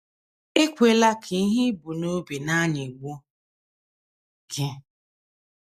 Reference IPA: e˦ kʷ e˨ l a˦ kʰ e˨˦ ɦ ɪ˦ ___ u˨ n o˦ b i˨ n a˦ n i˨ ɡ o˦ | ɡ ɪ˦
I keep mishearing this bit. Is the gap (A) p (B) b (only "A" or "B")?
B